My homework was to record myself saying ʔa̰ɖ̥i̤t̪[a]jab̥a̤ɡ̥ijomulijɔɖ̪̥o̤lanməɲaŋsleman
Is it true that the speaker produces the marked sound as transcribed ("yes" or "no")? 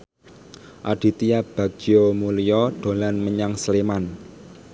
no